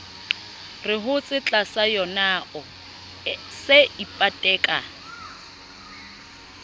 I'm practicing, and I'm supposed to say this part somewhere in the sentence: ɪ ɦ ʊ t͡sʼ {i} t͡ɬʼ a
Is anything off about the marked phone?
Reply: yes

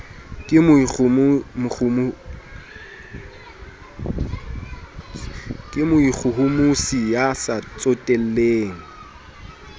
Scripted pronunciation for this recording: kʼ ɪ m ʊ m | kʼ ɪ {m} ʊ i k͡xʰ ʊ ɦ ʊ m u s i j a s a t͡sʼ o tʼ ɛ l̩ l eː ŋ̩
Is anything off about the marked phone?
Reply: no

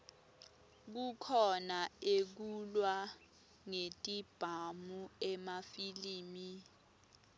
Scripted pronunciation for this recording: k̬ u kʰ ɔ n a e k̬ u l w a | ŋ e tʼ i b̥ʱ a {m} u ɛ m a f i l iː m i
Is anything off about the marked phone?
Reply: no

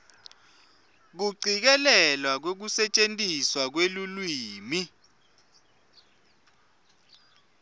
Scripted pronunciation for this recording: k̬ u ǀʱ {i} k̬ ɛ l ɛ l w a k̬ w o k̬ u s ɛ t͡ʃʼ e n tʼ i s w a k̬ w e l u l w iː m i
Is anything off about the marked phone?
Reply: no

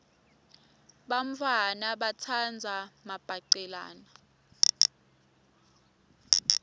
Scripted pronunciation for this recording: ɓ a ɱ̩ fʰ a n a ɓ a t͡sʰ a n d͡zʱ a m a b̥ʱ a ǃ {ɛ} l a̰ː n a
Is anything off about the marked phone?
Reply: no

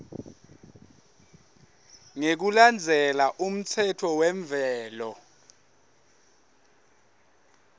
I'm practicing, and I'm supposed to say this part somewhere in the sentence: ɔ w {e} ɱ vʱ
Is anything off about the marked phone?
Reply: yes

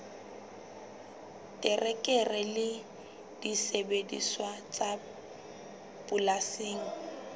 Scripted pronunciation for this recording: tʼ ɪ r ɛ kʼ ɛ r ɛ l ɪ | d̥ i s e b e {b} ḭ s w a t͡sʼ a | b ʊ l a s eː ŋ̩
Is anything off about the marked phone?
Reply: yes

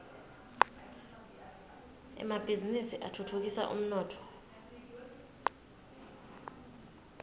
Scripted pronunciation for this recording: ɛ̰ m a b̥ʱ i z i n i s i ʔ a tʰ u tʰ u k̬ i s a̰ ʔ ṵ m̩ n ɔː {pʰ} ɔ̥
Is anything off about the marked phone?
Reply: yes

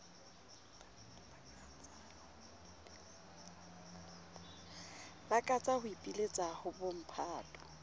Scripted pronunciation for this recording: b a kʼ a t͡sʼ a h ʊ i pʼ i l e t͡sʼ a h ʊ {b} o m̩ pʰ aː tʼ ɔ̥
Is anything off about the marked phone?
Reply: no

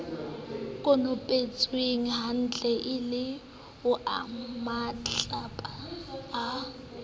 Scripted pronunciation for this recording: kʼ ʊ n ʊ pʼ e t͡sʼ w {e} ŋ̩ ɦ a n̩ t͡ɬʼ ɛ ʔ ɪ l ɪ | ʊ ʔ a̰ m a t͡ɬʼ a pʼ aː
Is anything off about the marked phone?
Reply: no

